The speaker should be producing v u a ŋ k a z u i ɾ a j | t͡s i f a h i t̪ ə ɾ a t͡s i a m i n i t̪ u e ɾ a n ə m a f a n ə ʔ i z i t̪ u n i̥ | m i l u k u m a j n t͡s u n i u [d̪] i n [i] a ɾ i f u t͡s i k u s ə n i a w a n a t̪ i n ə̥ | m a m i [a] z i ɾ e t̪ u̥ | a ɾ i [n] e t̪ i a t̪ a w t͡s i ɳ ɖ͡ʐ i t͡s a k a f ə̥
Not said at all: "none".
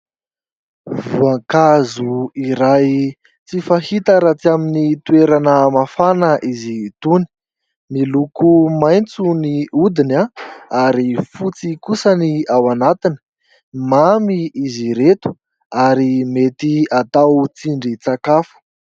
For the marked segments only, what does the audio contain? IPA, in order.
d̪, a, i, m

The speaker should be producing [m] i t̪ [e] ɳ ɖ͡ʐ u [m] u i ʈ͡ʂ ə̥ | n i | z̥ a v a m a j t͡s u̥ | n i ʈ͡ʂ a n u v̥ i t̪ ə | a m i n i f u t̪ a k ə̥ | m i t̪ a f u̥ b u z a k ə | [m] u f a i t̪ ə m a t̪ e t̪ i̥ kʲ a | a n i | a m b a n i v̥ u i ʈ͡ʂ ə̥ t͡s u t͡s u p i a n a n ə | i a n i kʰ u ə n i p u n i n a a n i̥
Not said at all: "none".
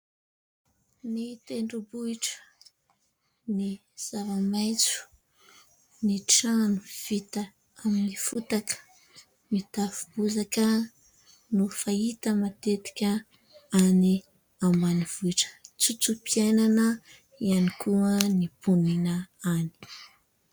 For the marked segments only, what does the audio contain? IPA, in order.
n, e, b, n

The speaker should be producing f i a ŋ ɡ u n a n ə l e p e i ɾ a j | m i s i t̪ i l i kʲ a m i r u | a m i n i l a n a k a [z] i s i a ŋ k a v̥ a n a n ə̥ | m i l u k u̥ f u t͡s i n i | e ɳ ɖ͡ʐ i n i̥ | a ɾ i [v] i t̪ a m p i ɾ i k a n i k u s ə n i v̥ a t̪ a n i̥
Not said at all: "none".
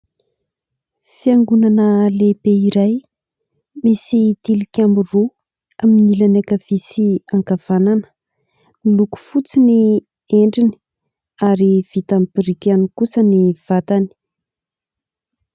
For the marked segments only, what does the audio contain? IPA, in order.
v, v

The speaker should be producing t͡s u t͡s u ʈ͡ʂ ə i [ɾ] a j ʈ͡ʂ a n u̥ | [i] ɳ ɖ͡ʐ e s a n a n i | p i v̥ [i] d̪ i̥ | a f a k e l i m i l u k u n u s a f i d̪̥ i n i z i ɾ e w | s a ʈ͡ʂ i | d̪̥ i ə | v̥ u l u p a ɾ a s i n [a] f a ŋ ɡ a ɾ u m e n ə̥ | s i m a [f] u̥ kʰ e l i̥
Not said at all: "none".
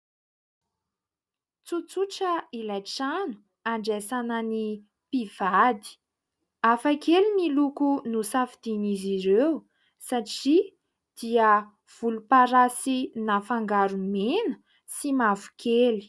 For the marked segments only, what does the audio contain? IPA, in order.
l, a, a, a, v

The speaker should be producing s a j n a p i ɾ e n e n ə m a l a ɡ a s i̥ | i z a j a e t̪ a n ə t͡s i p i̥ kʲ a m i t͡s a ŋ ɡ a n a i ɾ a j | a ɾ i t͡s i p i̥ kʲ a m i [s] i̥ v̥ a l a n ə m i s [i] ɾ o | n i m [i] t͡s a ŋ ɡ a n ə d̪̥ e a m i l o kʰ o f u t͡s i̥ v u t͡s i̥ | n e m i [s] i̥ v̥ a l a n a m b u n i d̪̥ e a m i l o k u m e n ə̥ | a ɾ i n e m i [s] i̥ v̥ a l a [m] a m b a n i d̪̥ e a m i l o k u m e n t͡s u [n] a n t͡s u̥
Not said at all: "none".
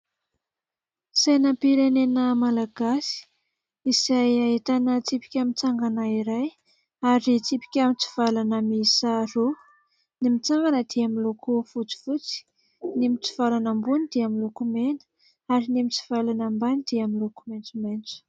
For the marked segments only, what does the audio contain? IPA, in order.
t͡s, a, i, t͡s, t͡s, n, m

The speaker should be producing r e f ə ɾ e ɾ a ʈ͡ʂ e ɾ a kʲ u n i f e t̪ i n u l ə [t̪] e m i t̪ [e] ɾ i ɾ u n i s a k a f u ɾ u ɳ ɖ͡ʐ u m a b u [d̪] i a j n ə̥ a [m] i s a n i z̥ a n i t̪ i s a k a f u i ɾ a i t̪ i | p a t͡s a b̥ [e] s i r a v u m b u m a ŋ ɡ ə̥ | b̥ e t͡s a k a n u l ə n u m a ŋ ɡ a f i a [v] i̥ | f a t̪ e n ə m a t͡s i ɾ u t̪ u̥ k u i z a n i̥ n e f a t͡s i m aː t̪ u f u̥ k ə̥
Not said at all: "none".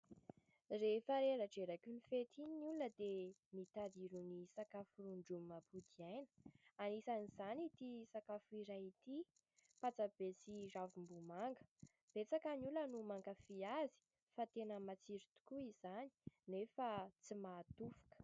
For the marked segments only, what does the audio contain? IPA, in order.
d̪, a, d̪, n, e, z

